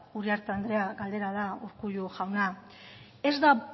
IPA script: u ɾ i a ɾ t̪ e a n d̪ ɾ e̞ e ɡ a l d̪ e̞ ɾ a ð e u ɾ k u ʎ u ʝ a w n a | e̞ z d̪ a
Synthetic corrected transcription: u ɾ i a ɾ t̪ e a n d̪ ɾ e̞ a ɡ a l d̪ e̞ ɾ a ð a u ɾ k u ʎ u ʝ a w n a | e̞ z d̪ a